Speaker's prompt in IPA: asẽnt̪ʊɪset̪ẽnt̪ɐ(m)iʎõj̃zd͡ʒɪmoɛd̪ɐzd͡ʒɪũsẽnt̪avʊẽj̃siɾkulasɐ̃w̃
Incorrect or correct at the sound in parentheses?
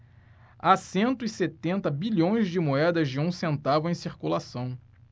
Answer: incorrect: b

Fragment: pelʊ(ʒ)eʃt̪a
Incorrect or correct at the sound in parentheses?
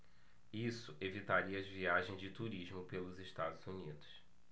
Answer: incorrect: z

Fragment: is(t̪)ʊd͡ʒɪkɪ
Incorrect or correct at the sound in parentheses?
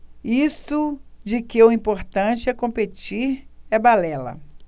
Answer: correct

